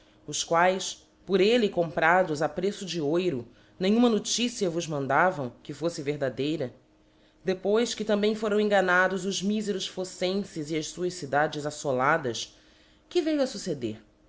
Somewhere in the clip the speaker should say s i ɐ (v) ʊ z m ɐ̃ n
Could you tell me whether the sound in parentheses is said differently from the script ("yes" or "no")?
no